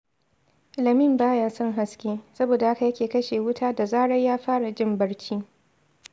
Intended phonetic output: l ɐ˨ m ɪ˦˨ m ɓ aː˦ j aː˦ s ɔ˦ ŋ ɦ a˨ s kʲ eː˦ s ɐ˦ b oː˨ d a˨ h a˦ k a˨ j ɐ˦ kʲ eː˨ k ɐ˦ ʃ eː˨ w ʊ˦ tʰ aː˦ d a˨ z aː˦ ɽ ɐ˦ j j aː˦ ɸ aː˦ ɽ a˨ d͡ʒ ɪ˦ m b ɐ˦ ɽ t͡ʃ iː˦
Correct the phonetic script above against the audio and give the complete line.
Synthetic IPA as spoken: l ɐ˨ m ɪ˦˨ m b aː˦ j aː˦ s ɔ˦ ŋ ɦ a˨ s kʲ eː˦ s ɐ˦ b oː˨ d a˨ h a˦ k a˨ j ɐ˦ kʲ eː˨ k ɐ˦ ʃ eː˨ w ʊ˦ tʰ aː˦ d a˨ z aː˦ ɽ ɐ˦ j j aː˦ ɸ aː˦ ɽ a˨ d͡ʒ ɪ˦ m b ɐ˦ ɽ t͡ʃ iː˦